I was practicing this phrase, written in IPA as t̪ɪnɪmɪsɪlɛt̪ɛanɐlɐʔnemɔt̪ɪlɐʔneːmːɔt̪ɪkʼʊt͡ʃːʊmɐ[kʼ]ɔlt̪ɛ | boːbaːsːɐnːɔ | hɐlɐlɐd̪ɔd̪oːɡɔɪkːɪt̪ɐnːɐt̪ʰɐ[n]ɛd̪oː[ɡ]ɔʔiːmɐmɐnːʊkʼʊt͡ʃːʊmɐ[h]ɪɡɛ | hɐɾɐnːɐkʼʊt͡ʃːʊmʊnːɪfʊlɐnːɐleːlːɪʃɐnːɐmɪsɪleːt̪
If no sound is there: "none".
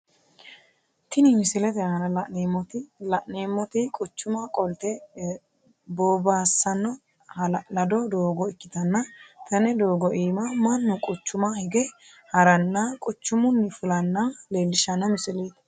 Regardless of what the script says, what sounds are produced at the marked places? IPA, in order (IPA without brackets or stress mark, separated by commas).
kʼ, n, ɡ, h